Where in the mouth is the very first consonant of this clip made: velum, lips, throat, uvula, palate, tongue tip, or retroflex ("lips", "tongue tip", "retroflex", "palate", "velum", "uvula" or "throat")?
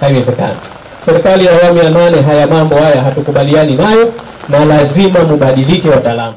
throat